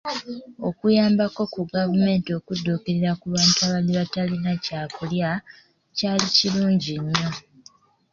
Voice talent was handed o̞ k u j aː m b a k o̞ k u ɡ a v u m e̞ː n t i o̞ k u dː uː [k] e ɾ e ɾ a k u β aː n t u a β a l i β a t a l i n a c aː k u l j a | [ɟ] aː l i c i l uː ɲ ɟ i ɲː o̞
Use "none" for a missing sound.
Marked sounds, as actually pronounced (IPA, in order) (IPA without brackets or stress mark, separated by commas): k, c